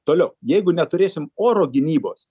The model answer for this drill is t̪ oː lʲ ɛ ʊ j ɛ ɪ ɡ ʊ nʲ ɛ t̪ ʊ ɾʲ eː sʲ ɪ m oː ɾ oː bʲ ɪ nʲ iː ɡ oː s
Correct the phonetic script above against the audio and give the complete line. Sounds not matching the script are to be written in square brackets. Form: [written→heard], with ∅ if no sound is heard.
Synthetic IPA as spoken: t̪ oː lʲ ɛ ʊ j ɛ ɪ ɡ ʊ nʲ ɛ t̪ ʊ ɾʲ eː sʲ ɪ m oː ɾ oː [bʲ→ɡʲ] ɪ nʲ iː [ɡ→b] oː s